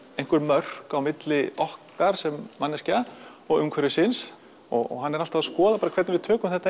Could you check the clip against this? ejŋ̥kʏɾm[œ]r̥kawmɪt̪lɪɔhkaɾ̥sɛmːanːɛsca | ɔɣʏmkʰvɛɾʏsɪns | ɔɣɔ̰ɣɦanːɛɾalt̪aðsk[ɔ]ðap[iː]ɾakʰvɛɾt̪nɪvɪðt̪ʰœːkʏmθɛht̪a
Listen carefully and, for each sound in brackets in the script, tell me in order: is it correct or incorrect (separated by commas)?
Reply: correct, incorrect, incorrect